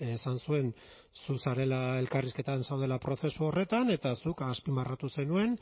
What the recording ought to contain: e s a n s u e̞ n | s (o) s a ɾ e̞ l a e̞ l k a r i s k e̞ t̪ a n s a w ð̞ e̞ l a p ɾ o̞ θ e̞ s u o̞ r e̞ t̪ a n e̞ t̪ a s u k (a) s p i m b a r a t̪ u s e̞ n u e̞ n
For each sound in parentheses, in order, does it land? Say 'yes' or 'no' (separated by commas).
no, yes